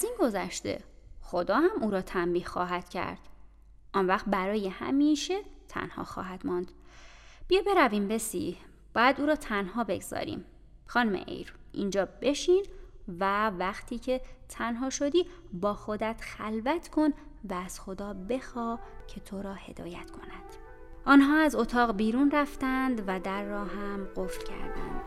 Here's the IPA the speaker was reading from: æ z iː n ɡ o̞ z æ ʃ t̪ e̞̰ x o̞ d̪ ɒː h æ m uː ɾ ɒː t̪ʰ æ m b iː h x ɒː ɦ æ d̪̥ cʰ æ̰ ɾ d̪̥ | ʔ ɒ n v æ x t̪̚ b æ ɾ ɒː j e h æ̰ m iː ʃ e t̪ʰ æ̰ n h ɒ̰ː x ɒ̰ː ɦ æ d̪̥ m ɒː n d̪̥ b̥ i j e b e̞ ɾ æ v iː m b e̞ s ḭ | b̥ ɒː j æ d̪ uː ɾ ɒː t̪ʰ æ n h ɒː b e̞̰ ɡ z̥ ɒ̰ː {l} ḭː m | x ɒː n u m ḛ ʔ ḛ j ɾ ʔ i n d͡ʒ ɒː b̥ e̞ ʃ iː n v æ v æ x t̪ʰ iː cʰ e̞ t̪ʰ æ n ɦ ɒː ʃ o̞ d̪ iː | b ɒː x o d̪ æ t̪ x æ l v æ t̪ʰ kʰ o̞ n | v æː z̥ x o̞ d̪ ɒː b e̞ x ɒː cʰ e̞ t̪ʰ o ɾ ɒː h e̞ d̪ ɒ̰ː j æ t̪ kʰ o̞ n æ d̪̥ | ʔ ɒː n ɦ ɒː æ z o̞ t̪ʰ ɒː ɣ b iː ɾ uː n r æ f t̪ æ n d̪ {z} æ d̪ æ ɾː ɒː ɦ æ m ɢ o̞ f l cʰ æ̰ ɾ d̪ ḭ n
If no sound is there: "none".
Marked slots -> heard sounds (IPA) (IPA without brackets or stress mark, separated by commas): ɾ, v